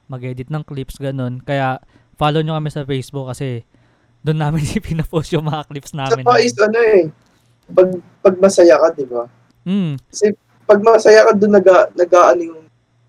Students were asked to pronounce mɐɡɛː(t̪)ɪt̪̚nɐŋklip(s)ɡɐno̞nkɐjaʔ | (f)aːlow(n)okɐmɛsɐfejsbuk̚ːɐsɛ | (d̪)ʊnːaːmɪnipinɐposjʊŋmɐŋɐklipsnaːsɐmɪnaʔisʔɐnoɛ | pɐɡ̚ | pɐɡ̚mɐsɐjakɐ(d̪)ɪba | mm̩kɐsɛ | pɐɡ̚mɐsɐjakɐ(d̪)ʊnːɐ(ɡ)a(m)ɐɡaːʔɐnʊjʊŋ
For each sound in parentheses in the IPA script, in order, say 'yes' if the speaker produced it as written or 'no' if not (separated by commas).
no, yes, yes, no, yes, yes, yes, yes, no